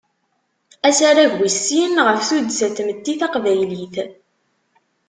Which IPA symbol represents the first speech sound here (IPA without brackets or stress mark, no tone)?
æ